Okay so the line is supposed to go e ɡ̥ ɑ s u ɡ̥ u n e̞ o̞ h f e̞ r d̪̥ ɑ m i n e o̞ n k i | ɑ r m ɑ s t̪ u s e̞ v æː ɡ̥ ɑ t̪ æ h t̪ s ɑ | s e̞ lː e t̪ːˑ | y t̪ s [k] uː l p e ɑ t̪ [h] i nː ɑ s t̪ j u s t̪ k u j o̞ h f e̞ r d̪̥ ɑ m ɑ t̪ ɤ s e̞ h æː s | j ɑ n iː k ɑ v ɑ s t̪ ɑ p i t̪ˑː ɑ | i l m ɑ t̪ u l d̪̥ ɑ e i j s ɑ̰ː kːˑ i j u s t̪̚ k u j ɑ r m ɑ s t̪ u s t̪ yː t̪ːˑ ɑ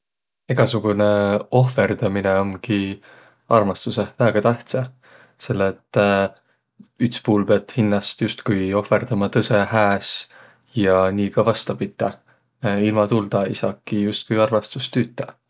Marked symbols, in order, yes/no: no, yes

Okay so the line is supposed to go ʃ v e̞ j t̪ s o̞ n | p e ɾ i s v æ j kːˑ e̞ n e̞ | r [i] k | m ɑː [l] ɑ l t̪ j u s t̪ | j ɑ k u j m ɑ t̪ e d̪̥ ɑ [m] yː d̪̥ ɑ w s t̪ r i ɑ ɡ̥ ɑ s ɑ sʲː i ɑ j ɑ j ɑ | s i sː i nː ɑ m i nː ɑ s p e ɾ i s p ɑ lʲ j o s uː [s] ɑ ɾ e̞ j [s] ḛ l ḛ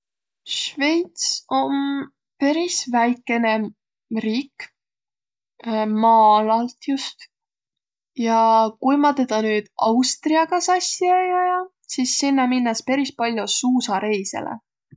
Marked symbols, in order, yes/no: no, yes, no, yes, yes

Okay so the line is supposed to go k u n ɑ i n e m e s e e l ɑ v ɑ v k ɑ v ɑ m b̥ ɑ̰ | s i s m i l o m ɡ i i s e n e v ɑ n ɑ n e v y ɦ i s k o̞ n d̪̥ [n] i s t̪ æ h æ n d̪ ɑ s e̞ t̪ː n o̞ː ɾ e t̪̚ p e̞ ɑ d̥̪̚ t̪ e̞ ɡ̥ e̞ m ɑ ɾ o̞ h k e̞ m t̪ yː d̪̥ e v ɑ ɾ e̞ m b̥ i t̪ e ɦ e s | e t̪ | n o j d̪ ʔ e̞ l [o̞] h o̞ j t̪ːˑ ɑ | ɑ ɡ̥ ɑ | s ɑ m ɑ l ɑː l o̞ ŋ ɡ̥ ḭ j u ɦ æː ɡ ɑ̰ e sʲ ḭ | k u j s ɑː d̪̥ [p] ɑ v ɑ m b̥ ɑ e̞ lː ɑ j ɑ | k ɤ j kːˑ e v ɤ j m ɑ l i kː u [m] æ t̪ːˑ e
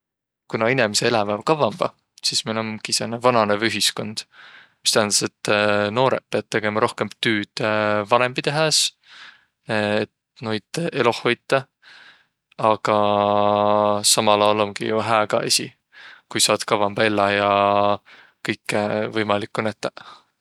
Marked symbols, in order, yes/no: no, yes, no, no

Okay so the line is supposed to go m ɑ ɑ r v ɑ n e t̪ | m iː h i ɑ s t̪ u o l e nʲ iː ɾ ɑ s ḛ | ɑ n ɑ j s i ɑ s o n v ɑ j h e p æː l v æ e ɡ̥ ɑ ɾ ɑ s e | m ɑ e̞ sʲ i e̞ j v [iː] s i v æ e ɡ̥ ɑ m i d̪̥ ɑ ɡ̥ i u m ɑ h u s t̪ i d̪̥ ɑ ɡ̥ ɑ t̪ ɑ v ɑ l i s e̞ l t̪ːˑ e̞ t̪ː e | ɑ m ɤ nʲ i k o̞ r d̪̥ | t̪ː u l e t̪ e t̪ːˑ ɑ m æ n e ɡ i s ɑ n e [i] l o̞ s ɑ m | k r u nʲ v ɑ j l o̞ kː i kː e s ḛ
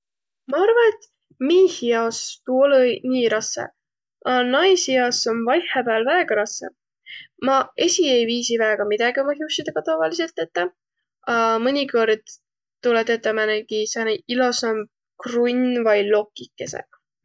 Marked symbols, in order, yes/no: yes, yes

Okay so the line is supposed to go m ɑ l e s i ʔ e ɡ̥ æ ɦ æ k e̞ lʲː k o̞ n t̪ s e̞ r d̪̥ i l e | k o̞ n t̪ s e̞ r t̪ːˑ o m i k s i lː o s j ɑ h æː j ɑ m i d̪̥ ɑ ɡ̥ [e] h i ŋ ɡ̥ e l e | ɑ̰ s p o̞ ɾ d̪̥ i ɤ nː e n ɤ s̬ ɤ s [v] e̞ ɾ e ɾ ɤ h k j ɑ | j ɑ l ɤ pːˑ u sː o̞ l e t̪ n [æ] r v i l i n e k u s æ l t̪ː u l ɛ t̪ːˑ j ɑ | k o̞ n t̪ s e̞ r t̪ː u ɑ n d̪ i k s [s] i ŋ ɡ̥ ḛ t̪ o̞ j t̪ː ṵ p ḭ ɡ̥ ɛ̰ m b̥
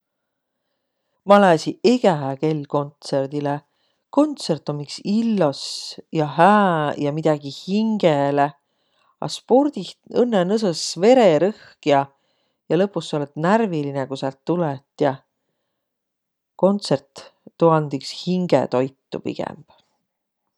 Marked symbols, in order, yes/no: no, yes, yes, no

